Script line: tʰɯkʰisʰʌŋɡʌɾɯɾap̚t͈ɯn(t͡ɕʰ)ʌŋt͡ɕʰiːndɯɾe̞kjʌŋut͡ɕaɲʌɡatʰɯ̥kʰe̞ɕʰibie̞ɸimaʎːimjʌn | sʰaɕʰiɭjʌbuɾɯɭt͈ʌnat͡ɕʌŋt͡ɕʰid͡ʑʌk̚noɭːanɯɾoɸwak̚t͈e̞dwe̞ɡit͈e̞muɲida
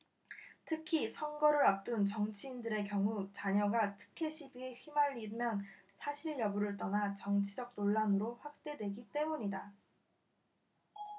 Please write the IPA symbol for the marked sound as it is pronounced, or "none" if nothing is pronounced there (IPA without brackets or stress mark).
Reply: t͡ɕ